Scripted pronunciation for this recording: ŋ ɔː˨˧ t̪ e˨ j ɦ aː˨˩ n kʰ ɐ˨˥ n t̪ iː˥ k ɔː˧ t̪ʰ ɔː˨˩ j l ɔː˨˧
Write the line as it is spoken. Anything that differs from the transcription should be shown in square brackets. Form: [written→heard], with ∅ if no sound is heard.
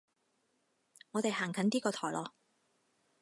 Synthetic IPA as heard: ŋ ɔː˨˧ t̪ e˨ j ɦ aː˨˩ [n→ŋ] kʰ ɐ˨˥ n t̪ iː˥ k ɔː˧ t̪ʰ ɔː˨˩ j l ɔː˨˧